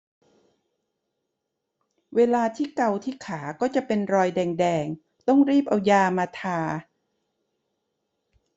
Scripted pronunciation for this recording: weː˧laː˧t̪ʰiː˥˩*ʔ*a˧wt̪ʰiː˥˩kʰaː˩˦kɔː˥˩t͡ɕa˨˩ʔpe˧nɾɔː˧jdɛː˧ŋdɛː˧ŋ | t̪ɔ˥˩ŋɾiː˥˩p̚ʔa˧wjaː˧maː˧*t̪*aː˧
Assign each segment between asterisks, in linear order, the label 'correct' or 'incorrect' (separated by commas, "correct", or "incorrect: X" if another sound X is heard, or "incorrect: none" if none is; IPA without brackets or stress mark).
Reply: incorrect: k, incorrect: t̪ʰ